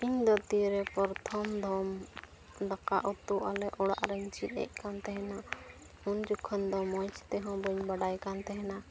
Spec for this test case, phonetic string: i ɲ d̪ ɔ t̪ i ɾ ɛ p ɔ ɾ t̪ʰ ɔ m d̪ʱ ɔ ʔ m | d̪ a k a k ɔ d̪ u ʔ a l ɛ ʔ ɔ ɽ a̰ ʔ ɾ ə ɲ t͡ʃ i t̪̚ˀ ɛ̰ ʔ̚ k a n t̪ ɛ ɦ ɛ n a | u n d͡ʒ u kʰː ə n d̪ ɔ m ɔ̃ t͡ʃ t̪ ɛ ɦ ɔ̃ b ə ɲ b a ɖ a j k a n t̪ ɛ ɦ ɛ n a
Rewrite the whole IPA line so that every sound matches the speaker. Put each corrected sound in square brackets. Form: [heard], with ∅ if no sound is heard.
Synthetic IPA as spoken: i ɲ d̪ ɔ t̪ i ɾ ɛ p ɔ ɾ t̪ʰ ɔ m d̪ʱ ɔ [∅] m | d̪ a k a [ʔ] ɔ [t̪] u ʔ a l ɛ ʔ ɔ ɽ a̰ ʔ ɾ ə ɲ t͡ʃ i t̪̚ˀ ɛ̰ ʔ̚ k a n t̪ ɛ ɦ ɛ n a | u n d͡ʒ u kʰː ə n d̪ ɔ m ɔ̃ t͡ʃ t̪ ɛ ɦ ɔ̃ b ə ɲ b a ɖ a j k a n t̪ ɛ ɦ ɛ n a